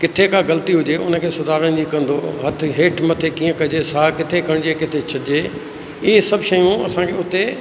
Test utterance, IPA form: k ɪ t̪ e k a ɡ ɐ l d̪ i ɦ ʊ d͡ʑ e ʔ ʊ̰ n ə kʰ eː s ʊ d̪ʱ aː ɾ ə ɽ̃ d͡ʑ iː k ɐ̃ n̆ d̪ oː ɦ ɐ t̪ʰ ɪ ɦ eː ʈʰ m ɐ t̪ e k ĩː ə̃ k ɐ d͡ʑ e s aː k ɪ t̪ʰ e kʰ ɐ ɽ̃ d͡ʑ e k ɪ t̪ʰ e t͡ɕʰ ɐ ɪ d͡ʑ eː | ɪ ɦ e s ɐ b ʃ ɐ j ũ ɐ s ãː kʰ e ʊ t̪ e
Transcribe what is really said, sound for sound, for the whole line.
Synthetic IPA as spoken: k ɪ t̪ʰ e k a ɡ ɐ l t̪ i ɦ ʊ d͡ʑ e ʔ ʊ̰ n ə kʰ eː s ʊ d̪ʱ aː ɾ ə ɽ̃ d͡ʑ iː k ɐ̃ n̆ d̪ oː ɦ ɐ t̪ʰ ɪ ɦ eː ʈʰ m ɐ t̪ʰ e k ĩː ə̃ k ɐ d͡ʑ e s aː k ɪ t̪ʰ e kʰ ɐ ɽ̃ d͡ʑ e k ɪ t̪ʰ e t͡ɕʰ ɐ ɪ d͡ʑ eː | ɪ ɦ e s ɐ b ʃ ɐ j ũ ɐ s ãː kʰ e ʊ t̪ e